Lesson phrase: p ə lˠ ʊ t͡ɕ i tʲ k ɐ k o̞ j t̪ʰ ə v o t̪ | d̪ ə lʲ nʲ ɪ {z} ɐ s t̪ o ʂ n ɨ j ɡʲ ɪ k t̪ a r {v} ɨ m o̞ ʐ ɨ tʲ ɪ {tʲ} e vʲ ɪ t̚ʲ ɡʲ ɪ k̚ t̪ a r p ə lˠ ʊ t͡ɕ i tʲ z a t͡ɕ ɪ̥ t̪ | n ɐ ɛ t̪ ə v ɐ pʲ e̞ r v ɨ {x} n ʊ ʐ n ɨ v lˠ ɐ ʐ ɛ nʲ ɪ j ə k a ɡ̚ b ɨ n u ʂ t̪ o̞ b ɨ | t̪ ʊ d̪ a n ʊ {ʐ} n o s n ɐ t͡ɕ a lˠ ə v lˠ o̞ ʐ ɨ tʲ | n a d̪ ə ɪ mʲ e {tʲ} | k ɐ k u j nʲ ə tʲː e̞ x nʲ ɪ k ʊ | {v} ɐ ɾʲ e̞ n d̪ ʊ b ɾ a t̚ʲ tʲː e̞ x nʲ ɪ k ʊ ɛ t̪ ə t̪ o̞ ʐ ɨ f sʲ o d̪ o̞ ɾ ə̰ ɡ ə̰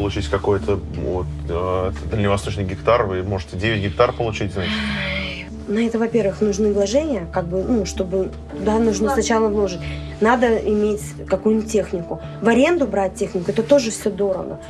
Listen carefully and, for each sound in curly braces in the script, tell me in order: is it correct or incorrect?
incorrect: v, correct, incorrect: dʲ, correct, correct, correct, correct

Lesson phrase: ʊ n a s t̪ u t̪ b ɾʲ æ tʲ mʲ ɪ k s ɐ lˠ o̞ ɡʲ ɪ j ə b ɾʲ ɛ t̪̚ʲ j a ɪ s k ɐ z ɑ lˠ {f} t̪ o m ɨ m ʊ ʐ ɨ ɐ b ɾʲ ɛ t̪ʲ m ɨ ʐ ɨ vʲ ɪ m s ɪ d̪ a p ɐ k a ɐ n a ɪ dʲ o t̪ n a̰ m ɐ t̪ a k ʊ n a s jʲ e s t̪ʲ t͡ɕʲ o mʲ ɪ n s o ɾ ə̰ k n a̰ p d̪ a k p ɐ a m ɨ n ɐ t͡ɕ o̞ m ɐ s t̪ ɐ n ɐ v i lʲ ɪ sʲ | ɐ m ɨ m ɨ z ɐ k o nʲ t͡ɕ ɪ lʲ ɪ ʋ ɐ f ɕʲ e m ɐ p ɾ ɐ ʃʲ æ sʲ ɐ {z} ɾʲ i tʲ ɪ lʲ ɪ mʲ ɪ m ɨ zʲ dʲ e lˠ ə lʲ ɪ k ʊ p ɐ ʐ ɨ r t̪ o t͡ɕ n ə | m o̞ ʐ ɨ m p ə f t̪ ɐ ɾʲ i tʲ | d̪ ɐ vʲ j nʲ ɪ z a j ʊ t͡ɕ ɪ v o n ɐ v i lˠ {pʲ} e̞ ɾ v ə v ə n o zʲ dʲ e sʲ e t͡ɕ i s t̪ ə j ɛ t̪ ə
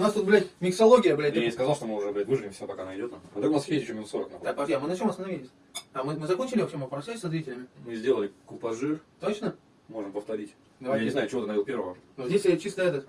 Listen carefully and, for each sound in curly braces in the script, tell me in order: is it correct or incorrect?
incorrect: ʂ, correct, correct

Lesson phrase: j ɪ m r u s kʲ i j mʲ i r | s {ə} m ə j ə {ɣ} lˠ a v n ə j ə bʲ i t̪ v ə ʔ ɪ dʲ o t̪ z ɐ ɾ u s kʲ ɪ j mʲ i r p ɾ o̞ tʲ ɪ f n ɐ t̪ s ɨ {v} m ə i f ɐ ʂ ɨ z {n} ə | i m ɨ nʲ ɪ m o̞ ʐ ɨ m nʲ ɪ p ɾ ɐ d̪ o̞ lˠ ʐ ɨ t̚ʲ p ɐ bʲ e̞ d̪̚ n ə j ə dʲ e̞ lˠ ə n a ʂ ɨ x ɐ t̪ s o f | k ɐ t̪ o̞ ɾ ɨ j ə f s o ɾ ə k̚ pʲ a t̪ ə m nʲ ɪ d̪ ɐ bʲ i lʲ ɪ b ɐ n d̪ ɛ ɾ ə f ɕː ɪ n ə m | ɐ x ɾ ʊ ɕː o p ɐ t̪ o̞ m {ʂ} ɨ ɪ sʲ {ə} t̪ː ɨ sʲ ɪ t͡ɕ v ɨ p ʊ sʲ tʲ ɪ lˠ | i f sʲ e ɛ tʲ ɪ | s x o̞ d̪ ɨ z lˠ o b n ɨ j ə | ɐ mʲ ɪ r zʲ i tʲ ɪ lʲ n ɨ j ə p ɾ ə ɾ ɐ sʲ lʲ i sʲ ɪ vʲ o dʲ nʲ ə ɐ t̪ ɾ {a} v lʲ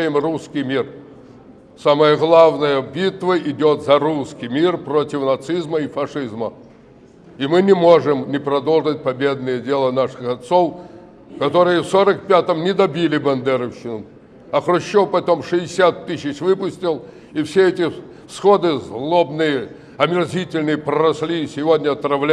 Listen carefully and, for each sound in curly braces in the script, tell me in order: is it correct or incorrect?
incorrect: a, correct, incorrect: z, incorrect: m, correct, incorrect: a, incorrect: ɐ

